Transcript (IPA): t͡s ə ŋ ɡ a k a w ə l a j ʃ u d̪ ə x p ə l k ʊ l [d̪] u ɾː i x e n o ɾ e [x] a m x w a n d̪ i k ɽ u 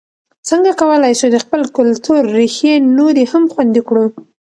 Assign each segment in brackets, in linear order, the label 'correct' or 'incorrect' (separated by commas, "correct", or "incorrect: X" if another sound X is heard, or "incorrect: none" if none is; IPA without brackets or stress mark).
incorrect: t̪, incorrect: h